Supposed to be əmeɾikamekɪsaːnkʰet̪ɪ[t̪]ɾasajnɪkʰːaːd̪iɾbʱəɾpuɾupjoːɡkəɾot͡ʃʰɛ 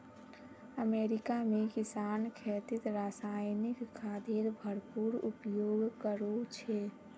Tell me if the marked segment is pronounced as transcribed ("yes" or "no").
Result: yes